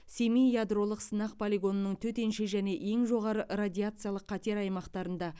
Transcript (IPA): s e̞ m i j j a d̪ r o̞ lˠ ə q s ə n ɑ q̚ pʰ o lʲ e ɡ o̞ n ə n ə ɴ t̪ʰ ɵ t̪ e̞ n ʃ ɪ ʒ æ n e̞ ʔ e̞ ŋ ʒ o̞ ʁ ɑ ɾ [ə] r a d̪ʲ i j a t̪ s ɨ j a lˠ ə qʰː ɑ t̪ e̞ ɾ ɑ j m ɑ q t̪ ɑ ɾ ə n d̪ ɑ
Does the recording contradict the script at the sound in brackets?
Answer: no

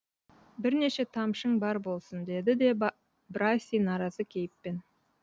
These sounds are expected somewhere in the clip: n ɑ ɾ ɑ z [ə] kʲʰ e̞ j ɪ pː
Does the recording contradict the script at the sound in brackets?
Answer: no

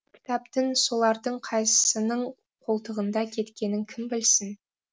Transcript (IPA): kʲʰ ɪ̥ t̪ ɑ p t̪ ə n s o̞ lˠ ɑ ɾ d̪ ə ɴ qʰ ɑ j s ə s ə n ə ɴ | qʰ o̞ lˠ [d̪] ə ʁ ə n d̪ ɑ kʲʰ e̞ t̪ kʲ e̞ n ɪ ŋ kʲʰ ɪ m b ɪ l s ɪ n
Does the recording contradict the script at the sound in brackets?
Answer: yes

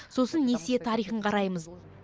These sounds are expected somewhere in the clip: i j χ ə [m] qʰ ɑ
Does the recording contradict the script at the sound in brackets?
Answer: yes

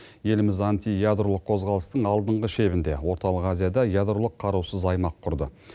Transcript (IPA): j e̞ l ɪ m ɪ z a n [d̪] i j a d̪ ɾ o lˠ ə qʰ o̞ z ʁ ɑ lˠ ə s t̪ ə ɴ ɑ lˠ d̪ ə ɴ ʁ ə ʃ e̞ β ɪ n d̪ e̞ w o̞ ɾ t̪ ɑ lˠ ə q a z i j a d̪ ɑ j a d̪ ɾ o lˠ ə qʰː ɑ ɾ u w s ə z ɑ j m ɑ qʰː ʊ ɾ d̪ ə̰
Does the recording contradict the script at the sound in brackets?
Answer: yes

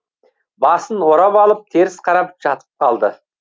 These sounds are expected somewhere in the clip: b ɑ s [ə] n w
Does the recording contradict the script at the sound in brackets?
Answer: no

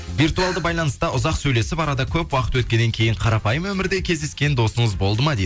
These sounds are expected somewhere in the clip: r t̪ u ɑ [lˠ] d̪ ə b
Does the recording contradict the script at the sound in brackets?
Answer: no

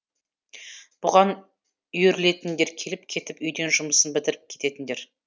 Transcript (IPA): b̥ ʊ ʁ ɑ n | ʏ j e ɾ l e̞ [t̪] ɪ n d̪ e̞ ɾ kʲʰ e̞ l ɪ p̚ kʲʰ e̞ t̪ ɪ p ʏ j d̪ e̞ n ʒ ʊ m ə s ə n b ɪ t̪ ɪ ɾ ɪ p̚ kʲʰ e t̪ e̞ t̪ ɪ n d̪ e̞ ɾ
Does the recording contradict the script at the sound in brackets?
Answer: no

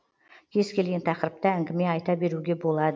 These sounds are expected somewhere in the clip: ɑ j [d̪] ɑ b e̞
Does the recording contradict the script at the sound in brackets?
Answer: yes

